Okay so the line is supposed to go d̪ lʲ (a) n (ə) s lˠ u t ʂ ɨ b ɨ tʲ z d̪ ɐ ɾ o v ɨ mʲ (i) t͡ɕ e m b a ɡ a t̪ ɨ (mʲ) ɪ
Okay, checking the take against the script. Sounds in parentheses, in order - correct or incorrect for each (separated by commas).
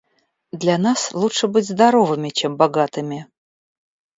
correct, incorrect, incorrect, correct